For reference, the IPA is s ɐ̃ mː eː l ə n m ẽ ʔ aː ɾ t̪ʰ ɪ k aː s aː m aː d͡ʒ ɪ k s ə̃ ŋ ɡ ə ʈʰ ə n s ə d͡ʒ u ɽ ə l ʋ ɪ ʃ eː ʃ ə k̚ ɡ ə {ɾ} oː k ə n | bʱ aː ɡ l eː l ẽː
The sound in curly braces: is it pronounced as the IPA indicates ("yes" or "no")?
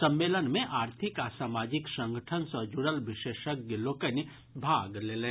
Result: no